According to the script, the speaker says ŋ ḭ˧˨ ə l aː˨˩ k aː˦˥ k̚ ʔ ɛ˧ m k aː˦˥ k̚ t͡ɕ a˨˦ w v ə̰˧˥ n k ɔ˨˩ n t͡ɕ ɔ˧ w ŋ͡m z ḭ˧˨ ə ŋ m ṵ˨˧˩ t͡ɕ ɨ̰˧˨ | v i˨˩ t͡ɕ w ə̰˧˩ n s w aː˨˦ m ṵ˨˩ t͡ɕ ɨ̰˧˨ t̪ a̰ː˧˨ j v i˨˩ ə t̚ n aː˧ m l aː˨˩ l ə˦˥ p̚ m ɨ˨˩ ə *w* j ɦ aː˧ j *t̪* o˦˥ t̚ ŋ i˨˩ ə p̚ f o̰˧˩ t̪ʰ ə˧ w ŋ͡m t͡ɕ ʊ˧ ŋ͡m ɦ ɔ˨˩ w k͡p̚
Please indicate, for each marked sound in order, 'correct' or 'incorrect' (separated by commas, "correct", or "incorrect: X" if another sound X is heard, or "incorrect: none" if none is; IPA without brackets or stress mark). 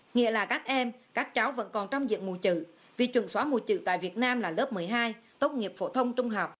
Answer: incorrect: none, correct